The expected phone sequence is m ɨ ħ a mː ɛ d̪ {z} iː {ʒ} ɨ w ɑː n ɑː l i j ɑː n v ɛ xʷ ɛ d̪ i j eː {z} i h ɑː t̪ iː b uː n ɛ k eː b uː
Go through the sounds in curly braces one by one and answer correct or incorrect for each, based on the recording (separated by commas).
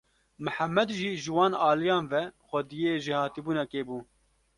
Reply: incorrect, correct, incorrect